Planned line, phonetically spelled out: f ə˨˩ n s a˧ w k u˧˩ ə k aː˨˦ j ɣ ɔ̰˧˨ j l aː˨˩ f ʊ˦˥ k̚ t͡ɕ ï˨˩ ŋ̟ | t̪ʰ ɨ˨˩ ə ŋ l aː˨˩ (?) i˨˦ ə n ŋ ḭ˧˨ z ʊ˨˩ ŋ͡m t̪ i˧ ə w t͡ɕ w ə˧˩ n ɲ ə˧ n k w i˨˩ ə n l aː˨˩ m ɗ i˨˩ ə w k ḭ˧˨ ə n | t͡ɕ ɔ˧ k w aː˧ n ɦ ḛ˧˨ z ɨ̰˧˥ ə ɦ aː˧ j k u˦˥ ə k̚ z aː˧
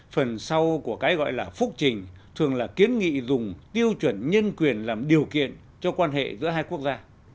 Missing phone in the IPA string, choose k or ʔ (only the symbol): k